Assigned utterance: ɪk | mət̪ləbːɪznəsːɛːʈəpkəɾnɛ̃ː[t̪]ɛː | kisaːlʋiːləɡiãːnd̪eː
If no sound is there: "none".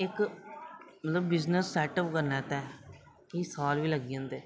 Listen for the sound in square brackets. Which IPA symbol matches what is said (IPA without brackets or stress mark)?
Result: t̪